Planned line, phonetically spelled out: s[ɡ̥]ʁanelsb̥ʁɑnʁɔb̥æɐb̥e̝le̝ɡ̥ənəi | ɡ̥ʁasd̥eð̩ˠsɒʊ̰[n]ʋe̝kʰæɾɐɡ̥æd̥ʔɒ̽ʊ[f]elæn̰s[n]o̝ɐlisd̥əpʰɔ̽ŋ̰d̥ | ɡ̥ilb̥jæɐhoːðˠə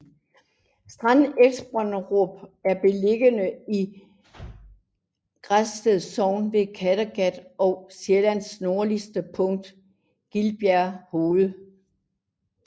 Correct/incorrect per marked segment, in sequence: incorrect: d̥, correct, incorrect: s, correct

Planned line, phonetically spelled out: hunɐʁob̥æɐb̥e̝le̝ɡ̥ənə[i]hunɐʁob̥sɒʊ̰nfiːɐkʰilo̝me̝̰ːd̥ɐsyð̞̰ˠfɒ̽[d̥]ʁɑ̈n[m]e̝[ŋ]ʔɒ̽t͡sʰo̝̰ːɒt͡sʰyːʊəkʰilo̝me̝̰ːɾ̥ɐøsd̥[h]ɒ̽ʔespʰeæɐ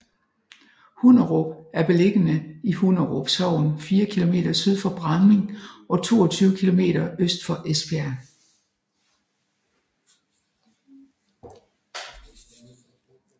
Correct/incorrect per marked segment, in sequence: correct, incorrect: b̥, correct, correct, incorrect: f

